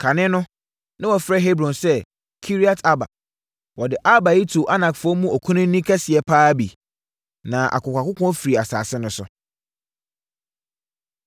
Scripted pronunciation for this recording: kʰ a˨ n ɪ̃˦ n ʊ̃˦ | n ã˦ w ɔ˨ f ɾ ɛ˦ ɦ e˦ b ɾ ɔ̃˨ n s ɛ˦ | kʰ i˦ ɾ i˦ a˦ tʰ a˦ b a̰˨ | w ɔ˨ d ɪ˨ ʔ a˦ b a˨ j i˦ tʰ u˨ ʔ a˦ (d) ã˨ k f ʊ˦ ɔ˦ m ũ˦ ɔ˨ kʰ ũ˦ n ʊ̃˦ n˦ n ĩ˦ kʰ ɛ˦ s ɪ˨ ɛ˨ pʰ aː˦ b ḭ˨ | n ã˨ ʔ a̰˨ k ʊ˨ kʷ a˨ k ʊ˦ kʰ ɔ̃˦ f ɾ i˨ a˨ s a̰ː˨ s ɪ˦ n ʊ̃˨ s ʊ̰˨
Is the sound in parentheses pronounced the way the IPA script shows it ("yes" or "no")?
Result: no